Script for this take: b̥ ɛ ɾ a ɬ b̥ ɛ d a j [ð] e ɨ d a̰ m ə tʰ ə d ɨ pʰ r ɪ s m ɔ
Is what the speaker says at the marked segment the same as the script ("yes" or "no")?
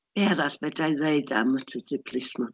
yes